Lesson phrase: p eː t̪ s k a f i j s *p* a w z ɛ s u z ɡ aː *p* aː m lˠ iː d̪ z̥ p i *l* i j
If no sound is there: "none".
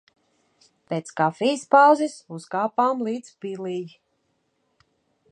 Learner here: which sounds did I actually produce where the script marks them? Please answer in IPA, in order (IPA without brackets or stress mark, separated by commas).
p, p, l